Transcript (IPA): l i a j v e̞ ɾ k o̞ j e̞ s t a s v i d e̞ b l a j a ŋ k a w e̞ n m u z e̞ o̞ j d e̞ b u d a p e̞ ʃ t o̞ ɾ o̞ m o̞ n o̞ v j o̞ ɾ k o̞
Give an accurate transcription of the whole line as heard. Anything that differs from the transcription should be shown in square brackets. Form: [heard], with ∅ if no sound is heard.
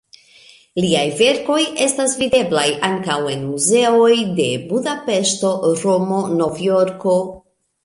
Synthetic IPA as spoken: l i a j v e̞ ɾ k o̞ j e̞ s t a s v i d e̞ b l a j a ŋ k a w e̞ n m u z e̞ o̞ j d e̞ b u d a p e̞ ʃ t o̞ ɾ o̞ m o̞ n o̞ v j o̞ ɾ k o̞